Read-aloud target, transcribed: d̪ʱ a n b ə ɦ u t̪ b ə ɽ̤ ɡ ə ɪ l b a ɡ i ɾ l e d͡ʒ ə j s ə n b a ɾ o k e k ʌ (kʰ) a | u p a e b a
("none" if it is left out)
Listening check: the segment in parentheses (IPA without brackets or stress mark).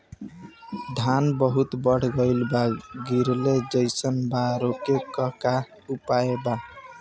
k